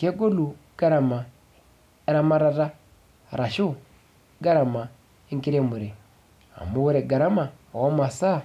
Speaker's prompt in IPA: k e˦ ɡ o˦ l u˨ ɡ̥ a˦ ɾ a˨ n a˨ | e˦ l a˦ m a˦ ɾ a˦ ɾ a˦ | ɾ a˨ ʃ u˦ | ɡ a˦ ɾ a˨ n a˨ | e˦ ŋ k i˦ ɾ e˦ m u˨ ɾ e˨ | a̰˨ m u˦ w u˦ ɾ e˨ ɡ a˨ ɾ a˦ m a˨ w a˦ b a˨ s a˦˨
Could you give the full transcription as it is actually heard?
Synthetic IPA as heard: k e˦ ɡ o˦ l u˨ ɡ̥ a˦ ɾ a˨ m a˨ | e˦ ɾ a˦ m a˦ ɾ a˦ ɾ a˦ | ɾ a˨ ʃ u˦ | ɡ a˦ ɾ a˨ m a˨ | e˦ ŋ k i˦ ɾ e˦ m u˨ ɾ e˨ | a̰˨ m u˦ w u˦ ɾ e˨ ɡ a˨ ɾ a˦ m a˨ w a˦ m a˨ s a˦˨